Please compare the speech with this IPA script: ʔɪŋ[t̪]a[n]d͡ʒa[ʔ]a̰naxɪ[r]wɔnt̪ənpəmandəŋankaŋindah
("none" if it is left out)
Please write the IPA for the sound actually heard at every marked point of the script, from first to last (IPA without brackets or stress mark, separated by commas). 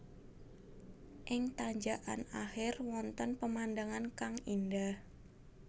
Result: t̪, ɲ, ʔ, r